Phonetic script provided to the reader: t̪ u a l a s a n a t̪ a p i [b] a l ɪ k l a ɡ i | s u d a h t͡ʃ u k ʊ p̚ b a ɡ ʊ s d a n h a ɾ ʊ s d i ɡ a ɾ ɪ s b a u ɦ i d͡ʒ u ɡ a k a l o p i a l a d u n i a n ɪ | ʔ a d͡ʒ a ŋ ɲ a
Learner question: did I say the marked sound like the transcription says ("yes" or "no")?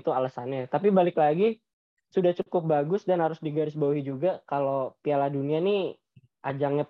yes